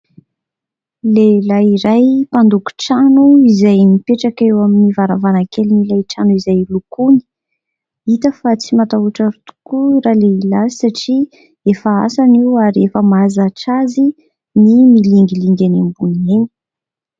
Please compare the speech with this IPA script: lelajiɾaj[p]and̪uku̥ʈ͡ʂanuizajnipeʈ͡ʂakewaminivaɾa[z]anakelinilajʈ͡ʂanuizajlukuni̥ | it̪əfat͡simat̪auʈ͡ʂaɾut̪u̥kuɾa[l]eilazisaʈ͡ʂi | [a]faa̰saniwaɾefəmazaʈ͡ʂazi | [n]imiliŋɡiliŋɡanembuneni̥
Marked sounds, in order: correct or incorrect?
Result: correct, incorrect, correct, incorrect, correct

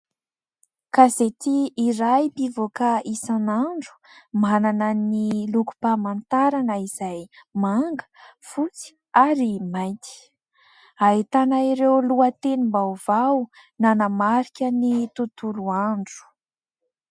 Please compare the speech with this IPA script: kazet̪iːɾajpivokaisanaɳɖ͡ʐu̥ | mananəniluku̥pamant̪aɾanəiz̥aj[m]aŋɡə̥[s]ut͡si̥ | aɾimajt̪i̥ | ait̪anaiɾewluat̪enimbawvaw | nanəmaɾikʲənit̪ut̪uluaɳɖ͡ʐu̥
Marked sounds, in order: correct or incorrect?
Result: correct, incorrect

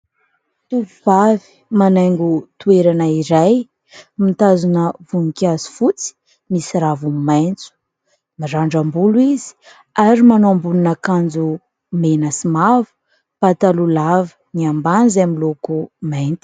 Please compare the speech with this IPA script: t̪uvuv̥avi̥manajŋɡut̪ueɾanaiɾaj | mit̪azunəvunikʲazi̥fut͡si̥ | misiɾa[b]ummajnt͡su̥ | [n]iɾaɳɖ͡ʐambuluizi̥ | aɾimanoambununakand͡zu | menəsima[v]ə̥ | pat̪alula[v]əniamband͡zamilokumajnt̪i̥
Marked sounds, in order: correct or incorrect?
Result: incorrect, incorrect, correct, correct

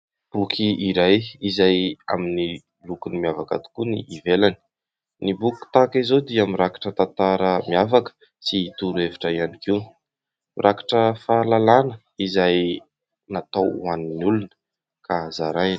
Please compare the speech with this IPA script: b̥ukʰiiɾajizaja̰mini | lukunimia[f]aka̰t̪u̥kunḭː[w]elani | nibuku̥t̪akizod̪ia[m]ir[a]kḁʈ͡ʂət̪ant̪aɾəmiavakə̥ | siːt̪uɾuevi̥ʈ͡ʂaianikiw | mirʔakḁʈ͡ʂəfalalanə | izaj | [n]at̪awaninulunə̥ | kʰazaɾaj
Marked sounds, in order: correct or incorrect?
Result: incorrect, incorrect, correct, correct, correct

